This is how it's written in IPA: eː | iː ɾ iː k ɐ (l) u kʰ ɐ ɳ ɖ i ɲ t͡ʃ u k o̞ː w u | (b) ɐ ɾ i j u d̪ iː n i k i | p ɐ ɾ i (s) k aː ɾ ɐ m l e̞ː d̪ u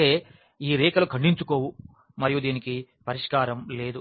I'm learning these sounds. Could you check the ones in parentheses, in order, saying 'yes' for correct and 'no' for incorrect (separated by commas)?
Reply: yes, no, no